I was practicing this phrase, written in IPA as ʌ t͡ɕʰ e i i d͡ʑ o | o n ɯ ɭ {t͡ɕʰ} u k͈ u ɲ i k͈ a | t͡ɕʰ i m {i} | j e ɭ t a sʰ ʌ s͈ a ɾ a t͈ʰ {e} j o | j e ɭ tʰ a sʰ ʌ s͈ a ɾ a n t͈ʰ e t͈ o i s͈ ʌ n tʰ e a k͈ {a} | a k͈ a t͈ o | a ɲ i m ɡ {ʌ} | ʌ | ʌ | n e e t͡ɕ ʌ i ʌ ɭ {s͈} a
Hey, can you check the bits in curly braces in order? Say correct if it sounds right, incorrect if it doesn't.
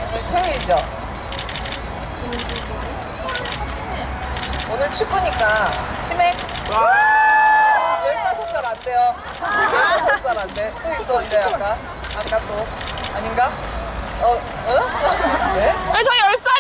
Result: correct, incorrect: e, correct, correct, incorrect: a, correct

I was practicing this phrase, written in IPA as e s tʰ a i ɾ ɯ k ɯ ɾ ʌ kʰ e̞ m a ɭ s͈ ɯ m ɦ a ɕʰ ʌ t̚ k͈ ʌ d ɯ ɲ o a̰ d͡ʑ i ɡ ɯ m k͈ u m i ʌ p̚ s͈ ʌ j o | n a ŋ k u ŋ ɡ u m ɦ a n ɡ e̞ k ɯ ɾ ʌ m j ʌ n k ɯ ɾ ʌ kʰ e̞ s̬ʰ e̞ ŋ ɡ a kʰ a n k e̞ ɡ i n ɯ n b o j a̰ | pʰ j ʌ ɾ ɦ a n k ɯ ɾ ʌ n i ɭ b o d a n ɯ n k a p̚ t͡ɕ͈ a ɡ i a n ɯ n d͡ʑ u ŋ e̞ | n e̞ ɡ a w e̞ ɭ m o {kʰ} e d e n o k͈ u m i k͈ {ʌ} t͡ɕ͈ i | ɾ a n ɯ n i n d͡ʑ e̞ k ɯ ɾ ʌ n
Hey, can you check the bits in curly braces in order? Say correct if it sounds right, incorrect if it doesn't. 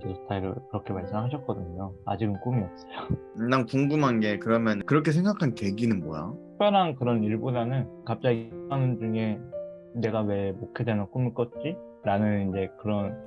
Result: correct, correct

